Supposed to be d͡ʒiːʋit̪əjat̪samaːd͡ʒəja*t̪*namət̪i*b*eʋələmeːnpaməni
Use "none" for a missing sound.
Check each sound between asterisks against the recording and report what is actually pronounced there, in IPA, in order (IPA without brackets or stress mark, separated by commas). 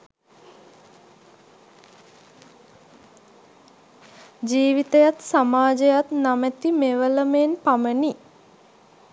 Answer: t̪, m